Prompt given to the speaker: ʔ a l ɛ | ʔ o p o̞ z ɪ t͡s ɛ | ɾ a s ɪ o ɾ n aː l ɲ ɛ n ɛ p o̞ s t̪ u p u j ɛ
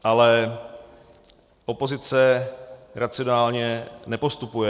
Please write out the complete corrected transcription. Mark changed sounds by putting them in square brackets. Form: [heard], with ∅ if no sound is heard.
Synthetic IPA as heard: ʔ a l ɛ | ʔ o p o̞ z ɪ t͡s ɛ | ɾ a [t͡s] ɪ o [∅] n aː l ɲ ɛ n ɛ p o̞ s t̪ u p u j ɛ